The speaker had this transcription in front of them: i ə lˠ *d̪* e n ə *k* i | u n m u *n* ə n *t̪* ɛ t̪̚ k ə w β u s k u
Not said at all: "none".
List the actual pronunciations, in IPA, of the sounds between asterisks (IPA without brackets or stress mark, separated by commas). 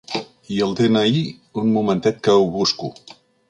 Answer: d̪, none, m, t̪